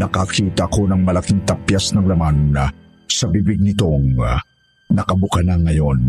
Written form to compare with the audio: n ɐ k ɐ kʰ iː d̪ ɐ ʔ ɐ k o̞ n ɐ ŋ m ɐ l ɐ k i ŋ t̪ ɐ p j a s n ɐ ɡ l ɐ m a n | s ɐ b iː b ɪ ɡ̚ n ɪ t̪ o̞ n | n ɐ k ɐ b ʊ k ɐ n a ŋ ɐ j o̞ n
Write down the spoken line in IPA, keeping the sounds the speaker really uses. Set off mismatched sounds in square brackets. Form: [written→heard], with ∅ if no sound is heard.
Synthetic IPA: n ɐ k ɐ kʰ iː [d̪→t̪] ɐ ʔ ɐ k o̞ n ɐ ŋ m ɐ l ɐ k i ŋ t̪ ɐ p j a s n ɐ [ɡ→ŋ] l ɐ m a n | s ɐ b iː b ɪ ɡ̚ n ɪ t̪ o̞ [n→ŋ] | n ɐ k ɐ b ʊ k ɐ n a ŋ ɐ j o̞ n